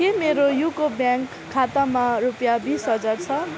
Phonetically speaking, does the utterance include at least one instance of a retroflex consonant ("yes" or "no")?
no